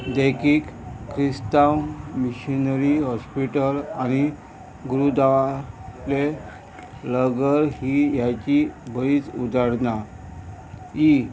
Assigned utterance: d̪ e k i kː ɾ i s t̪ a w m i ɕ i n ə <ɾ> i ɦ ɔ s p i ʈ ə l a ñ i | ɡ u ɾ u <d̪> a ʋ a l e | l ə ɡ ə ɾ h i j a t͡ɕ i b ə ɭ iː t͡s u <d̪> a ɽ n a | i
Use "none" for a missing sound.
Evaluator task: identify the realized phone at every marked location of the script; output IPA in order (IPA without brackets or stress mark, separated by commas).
ɾ, d̪, d̪